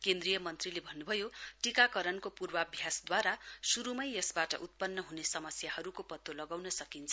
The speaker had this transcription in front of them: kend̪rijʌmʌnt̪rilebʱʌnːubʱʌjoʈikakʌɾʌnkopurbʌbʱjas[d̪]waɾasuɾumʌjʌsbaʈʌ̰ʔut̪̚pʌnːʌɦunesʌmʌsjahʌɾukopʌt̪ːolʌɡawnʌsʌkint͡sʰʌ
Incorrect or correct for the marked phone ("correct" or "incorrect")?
correct